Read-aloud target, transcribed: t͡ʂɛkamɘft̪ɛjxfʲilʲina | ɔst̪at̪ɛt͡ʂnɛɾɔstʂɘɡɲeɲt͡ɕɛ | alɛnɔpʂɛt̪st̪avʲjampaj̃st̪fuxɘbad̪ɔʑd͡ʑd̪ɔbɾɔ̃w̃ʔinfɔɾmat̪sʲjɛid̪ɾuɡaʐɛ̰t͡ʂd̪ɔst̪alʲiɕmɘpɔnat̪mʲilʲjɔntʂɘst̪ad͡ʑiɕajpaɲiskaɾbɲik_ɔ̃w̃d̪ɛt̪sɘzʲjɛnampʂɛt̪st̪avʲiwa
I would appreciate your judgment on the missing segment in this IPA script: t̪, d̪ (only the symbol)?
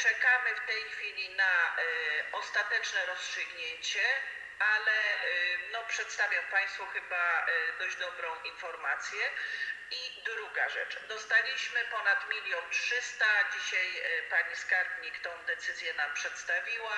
t̪